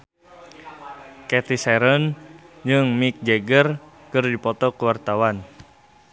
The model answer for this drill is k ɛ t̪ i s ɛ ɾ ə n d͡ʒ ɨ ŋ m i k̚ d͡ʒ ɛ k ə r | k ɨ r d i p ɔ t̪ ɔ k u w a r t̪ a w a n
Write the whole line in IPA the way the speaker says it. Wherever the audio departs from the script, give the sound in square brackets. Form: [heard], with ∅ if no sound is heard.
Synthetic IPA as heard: k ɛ t̪ i s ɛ ɾ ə n d͡ʒ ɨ ŋ m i k̚ d͡ʒ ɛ [ɡ] ə r | k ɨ r d i p ɔ t̪ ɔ k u w a r t̪ a w a n